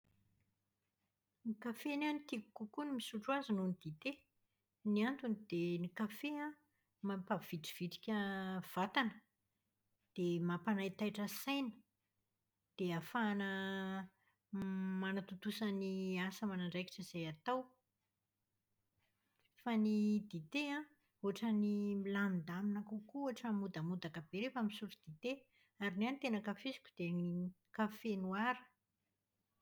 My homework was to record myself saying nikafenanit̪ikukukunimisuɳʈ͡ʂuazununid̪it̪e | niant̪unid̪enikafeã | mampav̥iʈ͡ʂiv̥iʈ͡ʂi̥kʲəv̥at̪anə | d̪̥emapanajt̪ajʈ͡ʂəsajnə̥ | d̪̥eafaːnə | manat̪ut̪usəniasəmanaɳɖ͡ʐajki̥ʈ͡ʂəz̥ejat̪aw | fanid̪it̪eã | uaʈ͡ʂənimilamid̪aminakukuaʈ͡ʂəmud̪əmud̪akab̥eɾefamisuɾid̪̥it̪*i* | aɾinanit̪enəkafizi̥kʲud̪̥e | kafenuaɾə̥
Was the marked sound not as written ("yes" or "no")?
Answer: yes